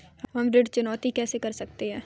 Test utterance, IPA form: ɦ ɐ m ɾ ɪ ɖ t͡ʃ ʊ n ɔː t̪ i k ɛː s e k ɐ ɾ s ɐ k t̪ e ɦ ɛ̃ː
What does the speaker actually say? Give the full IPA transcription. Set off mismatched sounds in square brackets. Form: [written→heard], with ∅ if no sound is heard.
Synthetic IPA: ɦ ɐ m ɾ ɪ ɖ t͡ʃ ʊ n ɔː t̪ i k ɛː s e k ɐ ɾ s ɐ k t̪ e ɦ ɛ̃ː